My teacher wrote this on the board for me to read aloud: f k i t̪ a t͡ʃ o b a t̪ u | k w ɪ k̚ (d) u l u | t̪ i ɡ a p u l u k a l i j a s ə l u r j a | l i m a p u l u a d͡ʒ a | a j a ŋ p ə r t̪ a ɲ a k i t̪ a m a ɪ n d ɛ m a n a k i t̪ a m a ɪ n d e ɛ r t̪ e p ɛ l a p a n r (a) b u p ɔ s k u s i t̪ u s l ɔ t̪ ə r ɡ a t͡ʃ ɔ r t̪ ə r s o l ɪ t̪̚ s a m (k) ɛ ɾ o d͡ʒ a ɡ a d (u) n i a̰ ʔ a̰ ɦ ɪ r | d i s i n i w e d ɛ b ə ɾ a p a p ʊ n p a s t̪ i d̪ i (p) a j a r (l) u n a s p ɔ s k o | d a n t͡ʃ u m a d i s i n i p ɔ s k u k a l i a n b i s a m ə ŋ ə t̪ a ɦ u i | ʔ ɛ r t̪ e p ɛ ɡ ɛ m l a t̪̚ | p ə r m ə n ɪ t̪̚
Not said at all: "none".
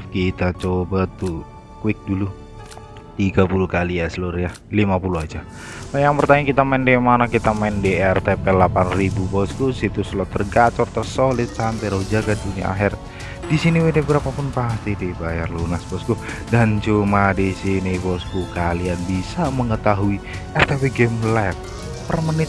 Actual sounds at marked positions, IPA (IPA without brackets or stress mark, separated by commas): d, i, p, u, b, l